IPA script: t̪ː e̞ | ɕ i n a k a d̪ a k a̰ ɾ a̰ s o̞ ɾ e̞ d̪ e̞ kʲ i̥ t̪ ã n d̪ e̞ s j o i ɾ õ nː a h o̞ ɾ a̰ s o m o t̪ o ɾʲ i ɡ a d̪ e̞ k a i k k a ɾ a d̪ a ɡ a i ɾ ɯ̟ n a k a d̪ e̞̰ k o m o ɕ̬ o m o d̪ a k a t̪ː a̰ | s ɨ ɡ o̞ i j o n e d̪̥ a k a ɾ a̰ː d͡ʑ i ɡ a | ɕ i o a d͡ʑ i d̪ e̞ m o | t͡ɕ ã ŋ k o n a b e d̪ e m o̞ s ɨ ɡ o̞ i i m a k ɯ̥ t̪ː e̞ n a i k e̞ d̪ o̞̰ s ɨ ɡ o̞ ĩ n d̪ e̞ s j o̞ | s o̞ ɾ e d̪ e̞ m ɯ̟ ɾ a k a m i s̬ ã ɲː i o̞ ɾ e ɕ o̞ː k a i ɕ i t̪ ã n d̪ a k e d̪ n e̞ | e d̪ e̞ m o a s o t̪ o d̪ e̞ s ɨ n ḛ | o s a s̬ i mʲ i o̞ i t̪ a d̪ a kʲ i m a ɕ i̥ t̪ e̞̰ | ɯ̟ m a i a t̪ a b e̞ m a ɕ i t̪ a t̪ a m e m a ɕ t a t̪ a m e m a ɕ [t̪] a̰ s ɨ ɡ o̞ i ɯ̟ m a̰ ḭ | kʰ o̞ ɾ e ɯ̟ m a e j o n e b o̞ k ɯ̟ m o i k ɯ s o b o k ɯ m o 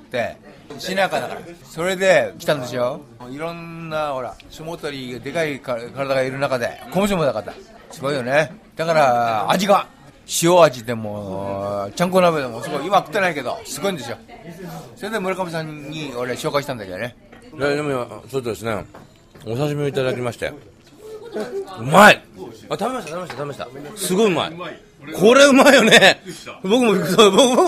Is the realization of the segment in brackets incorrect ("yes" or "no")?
no